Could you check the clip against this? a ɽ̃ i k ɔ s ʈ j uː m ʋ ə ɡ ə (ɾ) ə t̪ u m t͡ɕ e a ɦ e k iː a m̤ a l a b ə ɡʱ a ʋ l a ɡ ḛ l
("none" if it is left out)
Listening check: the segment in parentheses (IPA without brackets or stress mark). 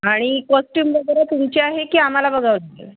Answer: ɾ